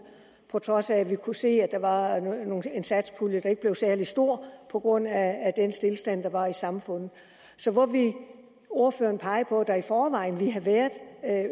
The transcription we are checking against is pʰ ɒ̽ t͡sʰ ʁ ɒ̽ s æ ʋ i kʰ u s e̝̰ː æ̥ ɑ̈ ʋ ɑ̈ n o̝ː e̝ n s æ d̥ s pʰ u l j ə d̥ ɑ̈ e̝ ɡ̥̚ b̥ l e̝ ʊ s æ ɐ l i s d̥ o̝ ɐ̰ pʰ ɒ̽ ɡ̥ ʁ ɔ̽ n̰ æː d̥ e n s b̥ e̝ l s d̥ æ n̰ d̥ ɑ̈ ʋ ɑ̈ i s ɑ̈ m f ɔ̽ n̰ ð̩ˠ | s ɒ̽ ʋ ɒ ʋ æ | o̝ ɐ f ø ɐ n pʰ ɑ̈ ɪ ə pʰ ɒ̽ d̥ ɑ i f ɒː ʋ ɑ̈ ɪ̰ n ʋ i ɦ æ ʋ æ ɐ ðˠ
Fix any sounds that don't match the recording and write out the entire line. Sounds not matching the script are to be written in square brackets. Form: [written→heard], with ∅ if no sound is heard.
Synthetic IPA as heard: pʰ ɒ̽ t͡sʰ ʁ ɒ̽ s æ ʋ i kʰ u s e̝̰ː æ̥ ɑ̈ ʋ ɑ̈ n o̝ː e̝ n s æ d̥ s pʰ u l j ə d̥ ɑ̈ e̝ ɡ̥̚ b̥ l e̝ ʊ s æ ɐ l i s d̥ o̝ ɐ̰ pʰ ɒ̽ ɡ̥ ʁ ɔ̽ n̰ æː d̥ e n s [b̥→d̥] e̝ l s d̥ æ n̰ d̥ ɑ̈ ʋ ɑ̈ i s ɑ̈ m f ɔ̽ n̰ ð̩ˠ | s ɒ̽ ʋ ɒ ʋ [æ→i] | o̝ ɐ f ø ɐ n pʰ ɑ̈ ɪ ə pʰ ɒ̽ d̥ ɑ i f ɒː ʋ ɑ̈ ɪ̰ n ʋ i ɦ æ ʋ æ ɐ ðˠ